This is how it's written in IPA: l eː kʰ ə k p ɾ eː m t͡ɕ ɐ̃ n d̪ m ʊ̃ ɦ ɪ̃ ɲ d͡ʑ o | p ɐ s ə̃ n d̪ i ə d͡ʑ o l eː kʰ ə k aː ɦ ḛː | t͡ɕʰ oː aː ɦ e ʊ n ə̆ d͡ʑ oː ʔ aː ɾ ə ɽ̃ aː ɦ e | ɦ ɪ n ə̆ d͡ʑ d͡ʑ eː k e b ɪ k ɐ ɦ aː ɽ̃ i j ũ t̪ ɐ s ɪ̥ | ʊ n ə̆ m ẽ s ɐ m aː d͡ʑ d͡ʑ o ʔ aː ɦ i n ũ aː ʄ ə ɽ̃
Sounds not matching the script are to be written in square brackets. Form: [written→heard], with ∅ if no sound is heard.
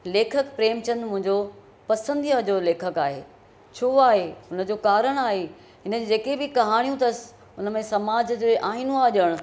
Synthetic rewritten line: l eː kʰ ə k p ɾ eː m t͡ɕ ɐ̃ n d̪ m ʊ̃ ɦ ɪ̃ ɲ d͡ʑ o | p ɐ s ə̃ n d̪ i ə d͡ʑ o l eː kʰ ə k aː ɦ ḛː | t͡ɕʰ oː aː ɦ e ʊ n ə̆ d͡ʑ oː [ʔ→k] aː ɾ ə ɽ̃ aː ɦ e | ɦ ɪ n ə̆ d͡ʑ d͡ʑ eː k e b ɪ k ɐ ɦ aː ɽ̃ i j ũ t̪ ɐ s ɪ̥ | ʊ n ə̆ m ẽ s ɐ m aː d͡ʑ d͡ʑ o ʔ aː ɦ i n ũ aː ʄ ə ɽ̃